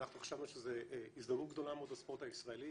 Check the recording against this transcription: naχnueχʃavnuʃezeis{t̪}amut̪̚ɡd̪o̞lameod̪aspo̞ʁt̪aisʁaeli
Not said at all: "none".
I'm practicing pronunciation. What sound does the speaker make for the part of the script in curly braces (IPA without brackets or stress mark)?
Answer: d̪